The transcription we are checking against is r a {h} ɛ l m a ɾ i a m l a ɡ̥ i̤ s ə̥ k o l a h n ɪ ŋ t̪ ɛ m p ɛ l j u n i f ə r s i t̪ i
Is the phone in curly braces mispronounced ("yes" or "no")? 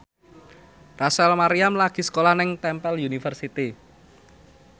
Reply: yes